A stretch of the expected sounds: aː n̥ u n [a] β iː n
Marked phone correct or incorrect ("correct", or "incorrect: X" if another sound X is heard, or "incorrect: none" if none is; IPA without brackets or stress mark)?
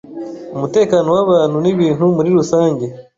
incorrect: i